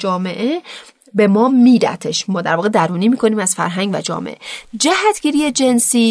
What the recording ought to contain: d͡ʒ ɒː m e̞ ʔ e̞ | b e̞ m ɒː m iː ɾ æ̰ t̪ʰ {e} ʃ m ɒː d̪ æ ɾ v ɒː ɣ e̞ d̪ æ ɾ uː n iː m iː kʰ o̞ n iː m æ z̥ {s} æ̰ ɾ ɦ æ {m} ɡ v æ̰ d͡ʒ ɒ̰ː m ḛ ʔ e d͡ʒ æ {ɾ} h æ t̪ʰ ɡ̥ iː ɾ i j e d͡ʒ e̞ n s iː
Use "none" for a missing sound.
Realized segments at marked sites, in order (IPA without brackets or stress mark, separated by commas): e, f, ŋ, none